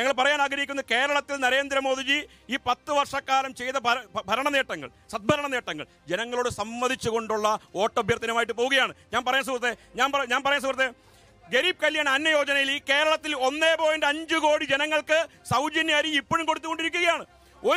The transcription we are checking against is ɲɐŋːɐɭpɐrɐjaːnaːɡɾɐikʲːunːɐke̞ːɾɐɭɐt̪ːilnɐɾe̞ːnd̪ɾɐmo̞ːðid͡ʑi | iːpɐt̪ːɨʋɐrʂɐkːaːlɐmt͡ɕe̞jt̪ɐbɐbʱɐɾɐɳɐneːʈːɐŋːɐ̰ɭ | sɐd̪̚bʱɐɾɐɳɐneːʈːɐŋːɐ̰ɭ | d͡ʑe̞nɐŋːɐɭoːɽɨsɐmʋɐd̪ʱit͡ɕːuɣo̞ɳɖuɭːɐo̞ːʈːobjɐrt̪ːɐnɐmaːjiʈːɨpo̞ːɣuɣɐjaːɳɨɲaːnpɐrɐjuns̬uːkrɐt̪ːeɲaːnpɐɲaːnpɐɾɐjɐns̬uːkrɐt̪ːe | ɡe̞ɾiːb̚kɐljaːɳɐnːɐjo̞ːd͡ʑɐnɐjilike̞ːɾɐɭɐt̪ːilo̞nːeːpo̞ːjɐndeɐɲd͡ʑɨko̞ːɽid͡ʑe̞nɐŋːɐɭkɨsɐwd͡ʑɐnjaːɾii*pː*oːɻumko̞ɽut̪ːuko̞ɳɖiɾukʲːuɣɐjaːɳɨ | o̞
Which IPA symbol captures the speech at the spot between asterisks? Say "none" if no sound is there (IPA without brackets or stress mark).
pː